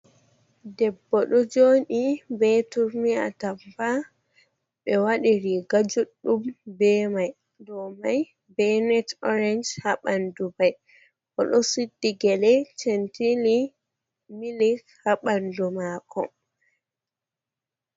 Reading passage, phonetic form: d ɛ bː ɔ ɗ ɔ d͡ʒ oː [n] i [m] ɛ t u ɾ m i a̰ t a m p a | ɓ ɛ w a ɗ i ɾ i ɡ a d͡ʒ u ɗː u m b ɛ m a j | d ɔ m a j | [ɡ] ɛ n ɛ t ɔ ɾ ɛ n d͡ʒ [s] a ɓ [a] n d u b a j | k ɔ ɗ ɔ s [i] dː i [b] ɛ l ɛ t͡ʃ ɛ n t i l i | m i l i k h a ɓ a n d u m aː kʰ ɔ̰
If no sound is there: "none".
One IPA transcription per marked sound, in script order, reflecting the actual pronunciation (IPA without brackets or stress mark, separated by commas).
n, b, b, h, a, i, ɡ